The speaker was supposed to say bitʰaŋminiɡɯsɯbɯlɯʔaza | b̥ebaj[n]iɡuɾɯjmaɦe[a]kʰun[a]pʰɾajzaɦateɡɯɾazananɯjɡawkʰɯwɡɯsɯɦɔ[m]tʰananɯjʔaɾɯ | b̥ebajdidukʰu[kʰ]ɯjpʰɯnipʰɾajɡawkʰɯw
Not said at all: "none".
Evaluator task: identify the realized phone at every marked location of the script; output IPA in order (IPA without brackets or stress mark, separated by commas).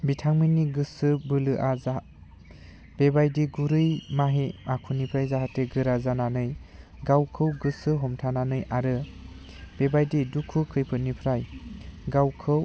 d, a, i, m, kʰ